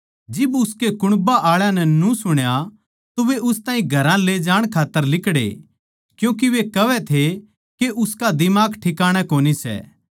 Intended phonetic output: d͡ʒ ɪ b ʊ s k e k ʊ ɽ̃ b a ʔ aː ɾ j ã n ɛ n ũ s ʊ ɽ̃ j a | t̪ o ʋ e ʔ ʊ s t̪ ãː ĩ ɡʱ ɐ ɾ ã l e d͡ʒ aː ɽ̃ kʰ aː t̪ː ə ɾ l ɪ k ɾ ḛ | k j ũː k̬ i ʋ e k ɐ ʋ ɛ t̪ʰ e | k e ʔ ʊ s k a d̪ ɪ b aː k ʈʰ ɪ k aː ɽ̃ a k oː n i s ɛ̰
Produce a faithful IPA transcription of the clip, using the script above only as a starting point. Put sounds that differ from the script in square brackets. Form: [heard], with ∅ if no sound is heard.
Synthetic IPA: d͡ʒ ɪ b ʊ s k e k ʊ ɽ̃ b a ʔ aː [ɭ] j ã n ɛ n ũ s ʊ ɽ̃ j a | t̪ o ʋ e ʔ ʊ s t̪ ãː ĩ ɡʱ ɐ ɾ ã l e d͡ʒ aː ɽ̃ kʰ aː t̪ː ə ɾ l ɪ k [ɽ] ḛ | k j ũː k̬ i ʋ e k ɐ ʋ ɛ t̪ʰ e | k e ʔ ʊ s k a d̪ ɪ [m] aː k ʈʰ ɪ k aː ɽ̃ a k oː n i s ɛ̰